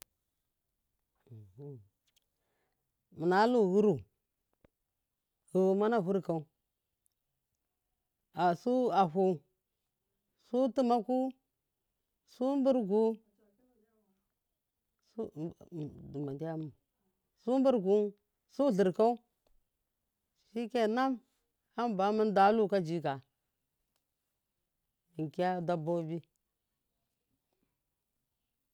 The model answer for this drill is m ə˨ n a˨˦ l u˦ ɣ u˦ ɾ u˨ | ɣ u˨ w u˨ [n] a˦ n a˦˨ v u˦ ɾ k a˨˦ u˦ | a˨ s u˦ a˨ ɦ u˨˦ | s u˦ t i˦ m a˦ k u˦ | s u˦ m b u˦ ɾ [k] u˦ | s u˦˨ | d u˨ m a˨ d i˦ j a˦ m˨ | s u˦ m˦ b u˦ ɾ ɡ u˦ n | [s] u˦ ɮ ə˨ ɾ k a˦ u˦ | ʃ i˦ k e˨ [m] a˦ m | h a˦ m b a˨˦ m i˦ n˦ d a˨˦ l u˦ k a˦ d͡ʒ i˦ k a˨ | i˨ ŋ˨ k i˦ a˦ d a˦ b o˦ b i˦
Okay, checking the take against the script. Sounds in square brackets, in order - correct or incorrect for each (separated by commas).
incorrect, incorrect, correct, incorrect